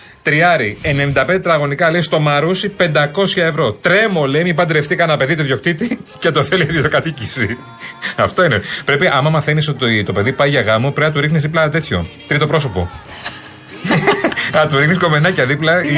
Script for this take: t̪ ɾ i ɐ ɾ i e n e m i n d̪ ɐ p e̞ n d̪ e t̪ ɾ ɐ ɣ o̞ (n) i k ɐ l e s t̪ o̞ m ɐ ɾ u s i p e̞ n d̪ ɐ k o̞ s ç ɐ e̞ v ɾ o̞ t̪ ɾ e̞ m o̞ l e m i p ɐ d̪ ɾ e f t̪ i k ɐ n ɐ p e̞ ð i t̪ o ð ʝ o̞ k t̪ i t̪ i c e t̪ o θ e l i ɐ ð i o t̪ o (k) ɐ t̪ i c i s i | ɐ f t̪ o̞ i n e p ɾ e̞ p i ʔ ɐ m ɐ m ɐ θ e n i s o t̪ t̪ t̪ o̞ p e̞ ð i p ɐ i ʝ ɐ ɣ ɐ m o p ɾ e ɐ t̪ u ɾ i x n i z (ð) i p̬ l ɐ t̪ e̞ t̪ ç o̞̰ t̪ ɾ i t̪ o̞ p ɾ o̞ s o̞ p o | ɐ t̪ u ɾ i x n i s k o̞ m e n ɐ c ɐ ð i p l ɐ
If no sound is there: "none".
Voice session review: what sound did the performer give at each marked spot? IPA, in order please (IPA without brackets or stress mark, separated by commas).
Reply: n, k, ð